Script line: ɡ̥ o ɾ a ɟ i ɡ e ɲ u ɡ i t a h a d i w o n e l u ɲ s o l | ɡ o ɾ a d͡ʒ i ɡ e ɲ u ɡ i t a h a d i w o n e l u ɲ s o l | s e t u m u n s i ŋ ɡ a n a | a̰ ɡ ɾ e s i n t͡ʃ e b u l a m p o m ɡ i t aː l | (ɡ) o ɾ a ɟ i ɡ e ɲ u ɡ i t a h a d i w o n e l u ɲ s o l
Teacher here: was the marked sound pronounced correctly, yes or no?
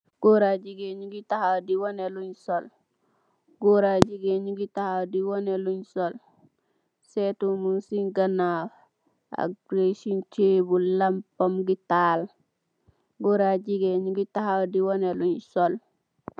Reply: yes